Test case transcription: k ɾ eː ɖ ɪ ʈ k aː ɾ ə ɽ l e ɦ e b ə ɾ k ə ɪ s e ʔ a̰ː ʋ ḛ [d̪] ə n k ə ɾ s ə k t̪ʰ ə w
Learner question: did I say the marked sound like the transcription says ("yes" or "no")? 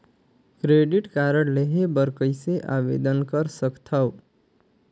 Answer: yes